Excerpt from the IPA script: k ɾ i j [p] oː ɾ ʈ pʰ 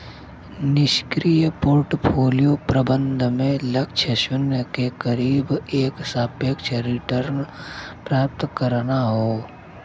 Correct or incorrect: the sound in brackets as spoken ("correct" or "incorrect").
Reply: correct